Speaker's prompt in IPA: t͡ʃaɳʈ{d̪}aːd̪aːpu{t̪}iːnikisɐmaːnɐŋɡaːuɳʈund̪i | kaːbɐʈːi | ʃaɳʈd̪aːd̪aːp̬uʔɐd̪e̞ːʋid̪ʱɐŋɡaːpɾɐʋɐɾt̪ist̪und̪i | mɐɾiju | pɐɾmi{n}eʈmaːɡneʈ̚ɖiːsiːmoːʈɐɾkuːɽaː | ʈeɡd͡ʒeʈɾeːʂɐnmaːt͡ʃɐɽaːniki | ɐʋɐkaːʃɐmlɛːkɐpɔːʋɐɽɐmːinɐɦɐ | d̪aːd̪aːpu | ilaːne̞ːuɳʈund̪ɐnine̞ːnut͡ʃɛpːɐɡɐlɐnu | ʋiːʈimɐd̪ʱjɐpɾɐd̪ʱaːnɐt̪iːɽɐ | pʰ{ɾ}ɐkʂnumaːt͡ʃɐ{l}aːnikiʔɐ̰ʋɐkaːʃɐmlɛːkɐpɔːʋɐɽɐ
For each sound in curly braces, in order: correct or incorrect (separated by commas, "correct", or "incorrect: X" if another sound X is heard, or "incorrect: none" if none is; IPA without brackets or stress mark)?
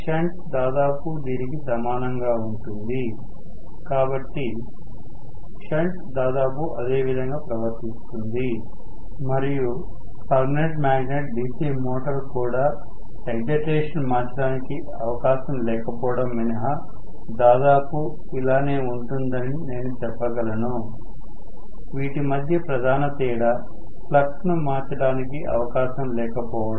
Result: correct, incorrect: d̪, correct, incorrect: l, incorrect: ɽ